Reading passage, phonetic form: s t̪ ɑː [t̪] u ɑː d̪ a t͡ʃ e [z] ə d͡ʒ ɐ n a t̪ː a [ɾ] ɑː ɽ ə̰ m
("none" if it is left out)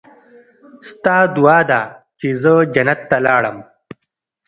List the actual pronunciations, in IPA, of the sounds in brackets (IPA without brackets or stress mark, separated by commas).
d̪, z, l